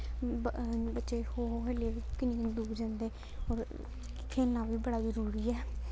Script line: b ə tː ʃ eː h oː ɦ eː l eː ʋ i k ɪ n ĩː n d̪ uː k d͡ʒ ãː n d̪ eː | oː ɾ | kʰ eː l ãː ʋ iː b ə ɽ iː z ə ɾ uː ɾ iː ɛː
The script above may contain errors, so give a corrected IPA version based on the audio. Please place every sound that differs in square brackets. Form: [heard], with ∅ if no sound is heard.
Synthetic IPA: b ə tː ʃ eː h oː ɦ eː l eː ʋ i k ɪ n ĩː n d̪ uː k d͡ʒ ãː n d̪ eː | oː ɾ | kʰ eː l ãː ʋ iː b ə ɽ [aː] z ə ɾ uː ɾ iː ɛː